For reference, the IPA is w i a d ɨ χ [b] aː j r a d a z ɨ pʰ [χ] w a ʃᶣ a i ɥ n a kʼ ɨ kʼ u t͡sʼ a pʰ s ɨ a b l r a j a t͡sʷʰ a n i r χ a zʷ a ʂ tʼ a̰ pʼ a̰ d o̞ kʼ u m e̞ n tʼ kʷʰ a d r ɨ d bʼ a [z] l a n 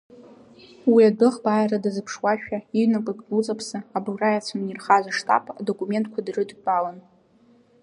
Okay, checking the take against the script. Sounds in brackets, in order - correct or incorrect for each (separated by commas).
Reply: correct, incorrect, incorrect